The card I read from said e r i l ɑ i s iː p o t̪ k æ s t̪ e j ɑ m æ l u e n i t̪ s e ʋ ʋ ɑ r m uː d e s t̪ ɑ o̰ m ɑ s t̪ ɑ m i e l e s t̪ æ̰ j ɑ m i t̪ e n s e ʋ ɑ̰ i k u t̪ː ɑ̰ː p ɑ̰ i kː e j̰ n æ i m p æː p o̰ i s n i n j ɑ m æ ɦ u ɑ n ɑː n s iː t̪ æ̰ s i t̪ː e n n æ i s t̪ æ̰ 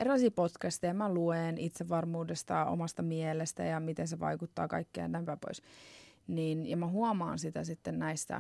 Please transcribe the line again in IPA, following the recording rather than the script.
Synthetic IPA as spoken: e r i l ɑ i s iː p o t̪ k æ s t̪ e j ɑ m æ l u e n i t̪ s e ʋ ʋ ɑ r m uː d e s t̪ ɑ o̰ m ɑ s t̪ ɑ m i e l e s t̪ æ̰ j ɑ m i t̪ e n s e ʋ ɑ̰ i k u t̪ː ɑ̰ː k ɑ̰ i kː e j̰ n æ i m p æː p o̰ i s n i n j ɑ m æ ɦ u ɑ m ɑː n s i t̪ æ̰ s i t̪ː e n n æ i s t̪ æ̰